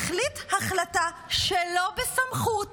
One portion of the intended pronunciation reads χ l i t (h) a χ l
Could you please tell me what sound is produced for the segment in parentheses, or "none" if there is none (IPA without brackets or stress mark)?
h